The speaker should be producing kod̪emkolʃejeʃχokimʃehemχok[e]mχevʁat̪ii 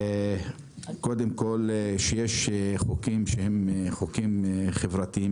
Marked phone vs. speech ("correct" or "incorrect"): incorrect